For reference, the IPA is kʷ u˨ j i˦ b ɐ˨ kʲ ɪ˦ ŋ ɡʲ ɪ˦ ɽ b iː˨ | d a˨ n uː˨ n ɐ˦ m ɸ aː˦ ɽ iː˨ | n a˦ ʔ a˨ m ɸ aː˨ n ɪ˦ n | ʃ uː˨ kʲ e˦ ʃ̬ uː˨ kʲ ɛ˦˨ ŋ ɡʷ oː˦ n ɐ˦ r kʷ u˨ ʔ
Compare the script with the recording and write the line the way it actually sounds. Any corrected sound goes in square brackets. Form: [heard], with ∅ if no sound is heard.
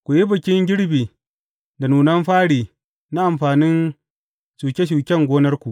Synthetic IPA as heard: kʷ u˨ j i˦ b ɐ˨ kʲ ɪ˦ ŋ ɡʲ ɪ˦ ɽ b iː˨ | d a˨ n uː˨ n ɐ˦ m ɸ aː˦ ɽ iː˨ | n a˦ ʔ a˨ m ɸ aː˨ n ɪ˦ n | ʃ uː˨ kʲ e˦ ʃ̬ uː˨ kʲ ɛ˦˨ ŋ ɡʷ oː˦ n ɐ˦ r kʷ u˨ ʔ